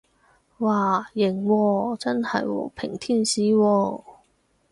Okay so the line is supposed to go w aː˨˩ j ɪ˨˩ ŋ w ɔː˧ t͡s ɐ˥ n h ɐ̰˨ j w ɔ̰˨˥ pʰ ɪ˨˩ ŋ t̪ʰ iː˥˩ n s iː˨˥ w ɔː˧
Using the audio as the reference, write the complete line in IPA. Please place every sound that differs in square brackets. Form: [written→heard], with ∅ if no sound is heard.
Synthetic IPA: w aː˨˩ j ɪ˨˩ ŋ w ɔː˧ t͡s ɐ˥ n h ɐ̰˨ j w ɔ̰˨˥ pʰ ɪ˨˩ ŋ t̪ʰ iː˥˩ n s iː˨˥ w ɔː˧